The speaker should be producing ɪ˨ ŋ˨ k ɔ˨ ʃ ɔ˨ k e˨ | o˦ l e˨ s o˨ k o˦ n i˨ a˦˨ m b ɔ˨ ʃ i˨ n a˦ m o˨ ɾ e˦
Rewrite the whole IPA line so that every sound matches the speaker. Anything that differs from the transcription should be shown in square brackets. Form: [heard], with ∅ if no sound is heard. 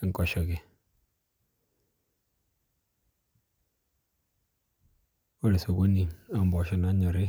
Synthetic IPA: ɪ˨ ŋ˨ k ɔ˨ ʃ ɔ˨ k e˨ | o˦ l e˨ s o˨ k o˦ n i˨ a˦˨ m b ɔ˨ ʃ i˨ n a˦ [ɲ] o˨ ɾ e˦